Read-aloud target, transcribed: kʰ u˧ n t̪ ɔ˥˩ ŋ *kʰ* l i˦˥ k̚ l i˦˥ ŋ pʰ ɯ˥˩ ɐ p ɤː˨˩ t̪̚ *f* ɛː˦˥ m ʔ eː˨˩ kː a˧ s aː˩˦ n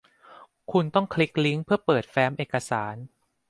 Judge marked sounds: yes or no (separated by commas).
yes, yes